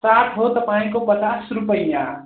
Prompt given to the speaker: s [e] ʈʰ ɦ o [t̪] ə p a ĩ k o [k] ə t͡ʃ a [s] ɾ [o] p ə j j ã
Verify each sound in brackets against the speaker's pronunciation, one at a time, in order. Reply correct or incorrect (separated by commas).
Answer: incorrect, correct, incorrect, correct, incorrect